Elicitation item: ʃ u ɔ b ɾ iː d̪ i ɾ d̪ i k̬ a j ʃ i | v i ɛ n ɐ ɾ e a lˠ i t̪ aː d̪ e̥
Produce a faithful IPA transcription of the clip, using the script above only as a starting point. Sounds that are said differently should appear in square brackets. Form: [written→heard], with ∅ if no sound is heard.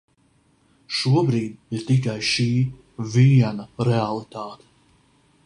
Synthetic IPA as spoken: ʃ u ɔ b ɾ iː d̪ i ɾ [d̪→t̪] i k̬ a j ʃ [i→iː] | v i ɛ n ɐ ɾ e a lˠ i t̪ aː [d̪→t̪] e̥